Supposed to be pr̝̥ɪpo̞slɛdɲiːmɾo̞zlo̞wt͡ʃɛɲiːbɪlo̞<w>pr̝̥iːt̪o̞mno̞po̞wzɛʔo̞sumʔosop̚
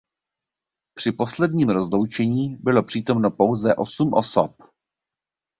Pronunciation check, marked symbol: incorrect: none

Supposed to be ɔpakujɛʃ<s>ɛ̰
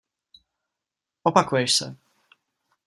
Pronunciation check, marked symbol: correct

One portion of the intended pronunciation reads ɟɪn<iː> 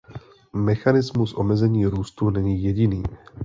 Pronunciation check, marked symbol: correct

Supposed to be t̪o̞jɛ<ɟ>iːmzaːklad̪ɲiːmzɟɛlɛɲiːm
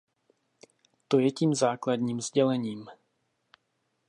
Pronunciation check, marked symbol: incorrect: c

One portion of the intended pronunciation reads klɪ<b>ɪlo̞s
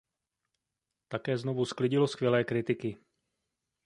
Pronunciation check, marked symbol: incorrect: ɟ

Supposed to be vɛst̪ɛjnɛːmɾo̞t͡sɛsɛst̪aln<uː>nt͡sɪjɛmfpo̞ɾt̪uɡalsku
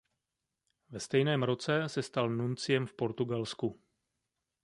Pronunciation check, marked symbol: incorrect: u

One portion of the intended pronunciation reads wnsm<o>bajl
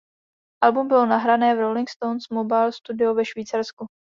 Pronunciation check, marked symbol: correct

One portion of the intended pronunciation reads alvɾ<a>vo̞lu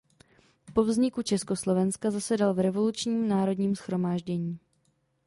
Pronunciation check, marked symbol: incorrect: ɛ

